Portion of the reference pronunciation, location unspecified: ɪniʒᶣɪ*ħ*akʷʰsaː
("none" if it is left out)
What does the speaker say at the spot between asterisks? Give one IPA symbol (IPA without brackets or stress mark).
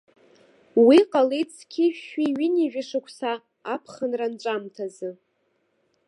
ʂ